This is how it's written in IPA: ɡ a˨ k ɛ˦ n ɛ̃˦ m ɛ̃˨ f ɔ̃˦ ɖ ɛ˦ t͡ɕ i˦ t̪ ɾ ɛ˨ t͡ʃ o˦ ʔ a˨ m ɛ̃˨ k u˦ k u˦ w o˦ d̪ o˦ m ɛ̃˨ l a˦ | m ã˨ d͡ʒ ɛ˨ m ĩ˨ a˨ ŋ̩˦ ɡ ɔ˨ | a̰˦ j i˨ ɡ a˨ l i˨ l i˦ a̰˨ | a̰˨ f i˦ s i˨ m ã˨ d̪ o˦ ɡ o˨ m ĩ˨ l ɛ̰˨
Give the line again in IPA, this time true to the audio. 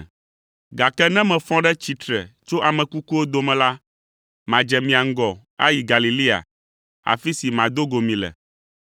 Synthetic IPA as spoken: ɡ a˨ k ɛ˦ n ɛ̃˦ m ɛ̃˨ f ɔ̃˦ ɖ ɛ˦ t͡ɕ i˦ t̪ ɾ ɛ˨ t͡ʃ o˦ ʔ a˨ m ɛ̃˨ k u˦ k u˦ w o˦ d̪ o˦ m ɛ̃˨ l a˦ | m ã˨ d͡ʒ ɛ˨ m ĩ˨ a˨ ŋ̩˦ ɡ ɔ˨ | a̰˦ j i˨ ɡ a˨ l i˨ l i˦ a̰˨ | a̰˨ f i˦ s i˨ m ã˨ d̪ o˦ ɡ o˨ m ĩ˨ l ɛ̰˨

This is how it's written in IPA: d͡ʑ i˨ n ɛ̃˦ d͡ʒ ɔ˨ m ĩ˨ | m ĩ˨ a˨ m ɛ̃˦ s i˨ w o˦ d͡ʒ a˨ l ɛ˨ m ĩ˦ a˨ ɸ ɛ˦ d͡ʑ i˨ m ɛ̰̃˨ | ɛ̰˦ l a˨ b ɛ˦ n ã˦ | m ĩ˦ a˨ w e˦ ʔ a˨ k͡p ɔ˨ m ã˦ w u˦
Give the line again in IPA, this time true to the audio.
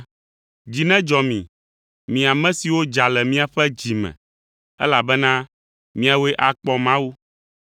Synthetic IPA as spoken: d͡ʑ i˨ n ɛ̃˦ d͡ʒ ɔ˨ m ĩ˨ | m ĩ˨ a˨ m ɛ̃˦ s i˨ w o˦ d͡ʒ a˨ l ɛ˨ m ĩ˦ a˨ ɸ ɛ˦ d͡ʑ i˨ m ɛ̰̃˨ | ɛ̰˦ l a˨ b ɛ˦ n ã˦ | m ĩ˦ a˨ w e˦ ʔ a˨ k͡p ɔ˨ m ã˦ w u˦

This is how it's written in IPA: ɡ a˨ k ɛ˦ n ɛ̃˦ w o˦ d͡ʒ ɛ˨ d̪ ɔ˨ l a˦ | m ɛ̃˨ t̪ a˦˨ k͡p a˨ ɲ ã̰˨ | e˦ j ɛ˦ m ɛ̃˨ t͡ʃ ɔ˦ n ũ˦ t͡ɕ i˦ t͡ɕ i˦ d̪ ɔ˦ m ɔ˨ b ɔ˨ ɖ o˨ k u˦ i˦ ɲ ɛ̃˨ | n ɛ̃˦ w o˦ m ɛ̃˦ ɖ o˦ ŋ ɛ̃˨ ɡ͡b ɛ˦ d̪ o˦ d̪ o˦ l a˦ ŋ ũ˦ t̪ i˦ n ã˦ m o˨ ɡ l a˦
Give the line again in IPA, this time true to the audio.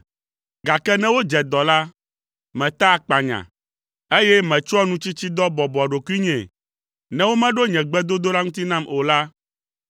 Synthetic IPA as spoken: ɡ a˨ k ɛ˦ n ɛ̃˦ w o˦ d͡ʒ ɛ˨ d̪ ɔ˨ l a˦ | m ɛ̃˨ t̪ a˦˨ k͡p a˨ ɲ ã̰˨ | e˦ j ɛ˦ m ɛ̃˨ t͡ʃ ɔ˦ n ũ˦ t͡ɕ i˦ t͡ɕ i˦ d̪ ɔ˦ b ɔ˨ b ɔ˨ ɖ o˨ k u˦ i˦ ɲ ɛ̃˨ | n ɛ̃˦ w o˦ m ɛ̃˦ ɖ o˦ ɲ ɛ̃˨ ɡ͡b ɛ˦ d̪ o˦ d̪ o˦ l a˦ ŋ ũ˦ t̪ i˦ n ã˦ m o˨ l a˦

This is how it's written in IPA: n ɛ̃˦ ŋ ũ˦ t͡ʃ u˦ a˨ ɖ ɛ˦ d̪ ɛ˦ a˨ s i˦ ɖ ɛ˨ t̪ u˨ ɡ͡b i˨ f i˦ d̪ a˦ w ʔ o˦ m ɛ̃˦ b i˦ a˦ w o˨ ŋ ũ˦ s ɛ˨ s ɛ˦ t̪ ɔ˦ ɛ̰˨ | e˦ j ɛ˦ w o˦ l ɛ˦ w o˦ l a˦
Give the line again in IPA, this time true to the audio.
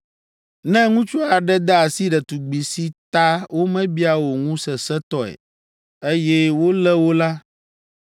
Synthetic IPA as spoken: n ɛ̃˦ ŋ ũ˦ t͡ʃ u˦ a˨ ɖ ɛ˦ d̪ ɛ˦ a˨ s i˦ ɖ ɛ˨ t̪ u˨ ɡ͡b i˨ s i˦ t̪ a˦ w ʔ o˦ m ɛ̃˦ b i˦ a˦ w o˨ ŋ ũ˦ s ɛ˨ s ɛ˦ t̪ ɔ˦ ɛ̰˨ | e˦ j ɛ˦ w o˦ l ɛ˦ w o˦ l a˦

